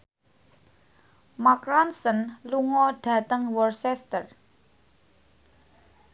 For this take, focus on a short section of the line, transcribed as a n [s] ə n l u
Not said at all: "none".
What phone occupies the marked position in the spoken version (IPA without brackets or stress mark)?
s